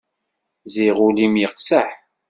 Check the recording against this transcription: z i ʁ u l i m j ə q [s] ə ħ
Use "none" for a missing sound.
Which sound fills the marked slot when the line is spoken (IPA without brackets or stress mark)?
s